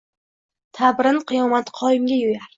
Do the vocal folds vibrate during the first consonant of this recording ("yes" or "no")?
no